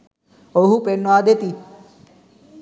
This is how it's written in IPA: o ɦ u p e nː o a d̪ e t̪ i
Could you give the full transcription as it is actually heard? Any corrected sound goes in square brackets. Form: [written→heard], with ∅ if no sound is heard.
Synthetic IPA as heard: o ɦ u p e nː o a d̪ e t̪ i